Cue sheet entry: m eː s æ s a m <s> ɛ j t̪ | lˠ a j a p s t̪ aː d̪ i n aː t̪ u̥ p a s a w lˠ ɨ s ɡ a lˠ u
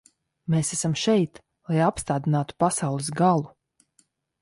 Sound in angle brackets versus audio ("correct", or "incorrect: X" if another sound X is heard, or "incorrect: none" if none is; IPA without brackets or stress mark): incorrect: ʃ